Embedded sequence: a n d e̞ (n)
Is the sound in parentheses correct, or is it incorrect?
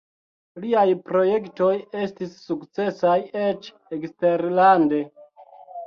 incorrect